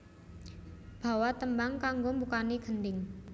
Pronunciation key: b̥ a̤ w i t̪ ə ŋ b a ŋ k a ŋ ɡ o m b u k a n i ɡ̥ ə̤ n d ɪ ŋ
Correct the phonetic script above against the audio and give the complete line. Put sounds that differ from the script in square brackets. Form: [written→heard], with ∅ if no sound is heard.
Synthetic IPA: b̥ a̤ w [i→a] t̪ ə [ŋ→m] b a ŋ k a ŋ ɡ o m b u k a n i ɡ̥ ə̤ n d ɪ ŋ